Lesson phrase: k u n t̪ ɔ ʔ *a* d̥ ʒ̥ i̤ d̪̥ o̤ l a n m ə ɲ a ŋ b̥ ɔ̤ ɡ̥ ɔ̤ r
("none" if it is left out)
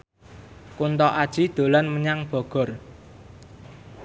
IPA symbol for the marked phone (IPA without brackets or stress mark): a